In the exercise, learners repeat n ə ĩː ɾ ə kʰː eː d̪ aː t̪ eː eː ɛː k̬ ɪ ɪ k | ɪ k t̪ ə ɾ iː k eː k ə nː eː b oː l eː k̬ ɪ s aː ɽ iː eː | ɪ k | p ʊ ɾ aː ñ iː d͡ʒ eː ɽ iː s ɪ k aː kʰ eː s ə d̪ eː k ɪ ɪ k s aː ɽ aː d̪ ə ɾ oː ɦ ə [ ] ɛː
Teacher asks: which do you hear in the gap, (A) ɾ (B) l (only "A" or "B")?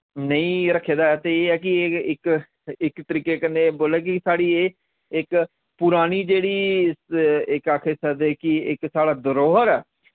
A